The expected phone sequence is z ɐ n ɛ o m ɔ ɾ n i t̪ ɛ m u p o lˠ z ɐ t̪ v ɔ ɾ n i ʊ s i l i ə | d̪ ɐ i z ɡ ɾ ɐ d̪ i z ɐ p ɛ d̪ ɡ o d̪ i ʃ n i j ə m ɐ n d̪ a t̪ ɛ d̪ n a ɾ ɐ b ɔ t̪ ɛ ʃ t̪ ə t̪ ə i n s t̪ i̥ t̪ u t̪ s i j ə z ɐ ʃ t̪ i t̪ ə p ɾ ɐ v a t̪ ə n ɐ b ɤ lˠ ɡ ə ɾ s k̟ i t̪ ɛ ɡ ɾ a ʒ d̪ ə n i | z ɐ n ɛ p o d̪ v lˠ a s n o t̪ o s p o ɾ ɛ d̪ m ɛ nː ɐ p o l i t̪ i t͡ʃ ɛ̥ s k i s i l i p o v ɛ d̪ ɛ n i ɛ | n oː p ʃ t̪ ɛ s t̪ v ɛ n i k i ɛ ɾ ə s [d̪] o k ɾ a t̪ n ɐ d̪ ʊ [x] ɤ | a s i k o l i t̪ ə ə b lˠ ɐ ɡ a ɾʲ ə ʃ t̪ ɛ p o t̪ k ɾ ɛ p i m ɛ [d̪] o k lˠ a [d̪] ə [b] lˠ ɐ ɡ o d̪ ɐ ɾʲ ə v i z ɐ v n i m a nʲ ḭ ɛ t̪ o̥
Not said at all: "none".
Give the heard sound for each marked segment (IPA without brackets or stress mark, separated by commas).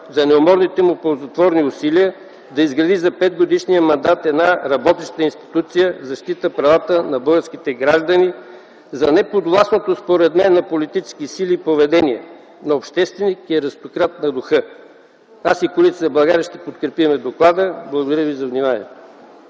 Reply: t̪, x, d̪, d̪, b